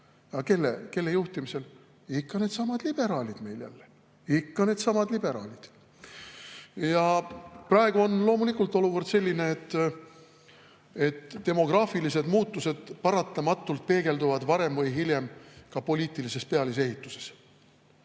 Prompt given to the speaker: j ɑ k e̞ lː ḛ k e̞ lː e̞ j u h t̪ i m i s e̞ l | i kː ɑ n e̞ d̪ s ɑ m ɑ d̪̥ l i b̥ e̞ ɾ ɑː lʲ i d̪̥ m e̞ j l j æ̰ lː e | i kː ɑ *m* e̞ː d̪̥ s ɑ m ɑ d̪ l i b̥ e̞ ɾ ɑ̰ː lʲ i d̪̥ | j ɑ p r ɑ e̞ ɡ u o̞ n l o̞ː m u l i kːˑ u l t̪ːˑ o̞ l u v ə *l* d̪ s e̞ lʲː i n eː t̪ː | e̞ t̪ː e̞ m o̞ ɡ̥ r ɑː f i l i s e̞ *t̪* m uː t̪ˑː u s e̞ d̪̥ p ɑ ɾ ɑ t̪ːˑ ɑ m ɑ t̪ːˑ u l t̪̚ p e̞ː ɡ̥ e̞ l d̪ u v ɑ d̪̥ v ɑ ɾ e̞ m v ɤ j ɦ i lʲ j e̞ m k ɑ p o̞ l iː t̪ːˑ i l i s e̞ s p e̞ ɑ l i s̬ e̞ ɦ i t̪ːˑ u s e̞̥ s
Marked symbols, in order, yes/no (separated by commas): no, no, no